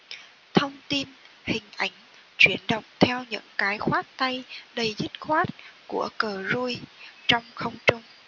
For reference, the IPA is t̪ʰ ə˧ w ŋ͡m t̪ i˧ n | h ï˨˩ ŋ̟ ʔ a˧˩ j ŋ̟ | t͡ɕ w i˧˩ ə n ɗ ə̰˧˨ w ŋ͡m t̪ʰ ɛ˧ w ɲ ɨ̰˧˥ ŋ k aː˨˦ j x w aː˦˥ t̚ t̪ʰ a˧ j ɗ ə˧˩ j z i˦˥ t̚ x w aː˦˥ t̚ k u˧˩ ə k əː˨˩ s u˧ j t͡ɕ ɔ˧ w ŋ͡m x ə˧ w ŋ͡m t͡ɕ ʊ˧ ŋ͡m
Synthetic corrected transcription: t̪ʰ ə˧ w ŋ͡m t̪ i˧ n | h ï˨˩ ŋ̟ ʔ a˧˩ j ŋ̟ | t͡ɕ w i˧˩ ə n ɗ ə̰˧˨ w ŋ͡m t̪ʰ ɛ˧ w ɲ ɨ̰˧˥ ŋ k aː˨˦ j x w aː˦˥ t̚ t̪ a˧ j ɗ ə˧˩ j z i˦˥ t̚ x w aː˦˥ t̚ k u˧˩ ə k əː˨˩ z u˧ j t͡ɕ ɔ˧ w ŋ͡m x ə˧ w ŋ͡m t͡ɕ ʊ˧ ŋ͡m